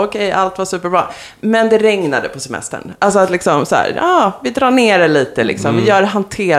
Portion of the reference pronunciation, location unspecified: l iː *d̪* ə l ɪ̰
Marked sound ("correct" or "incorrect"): incorrect